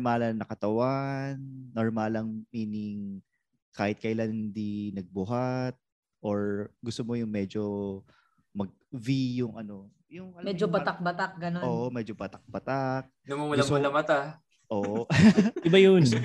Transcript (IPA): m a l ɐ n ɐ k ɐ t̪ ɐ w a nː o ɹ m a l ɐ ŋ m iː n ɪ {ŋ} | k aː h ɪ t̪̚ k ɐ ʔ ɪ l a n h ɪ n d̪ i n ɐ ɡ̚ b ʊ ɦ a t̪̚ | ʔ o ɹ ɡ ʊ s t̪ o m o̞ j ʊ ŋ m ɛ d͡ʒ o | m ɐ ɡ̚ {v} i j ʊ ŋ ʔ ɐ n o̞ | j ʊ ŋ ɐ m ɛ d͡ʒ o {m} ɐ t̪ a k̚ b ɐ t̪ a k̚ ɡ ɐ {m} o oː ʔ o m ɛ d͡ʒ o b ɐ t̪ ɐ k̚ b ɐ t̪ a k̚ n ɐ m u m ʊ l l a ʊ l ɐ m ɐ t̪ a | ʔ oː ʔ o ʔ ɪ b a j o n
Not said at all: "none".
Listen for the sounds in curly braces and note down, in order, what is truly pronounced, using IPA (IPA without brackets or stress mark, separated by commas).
ŋ, v, b, n